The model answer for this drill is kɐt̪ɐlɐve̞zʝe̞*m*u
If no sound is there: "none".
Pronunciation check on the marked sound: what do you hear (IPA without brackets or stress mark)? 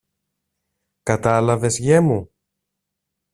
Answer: m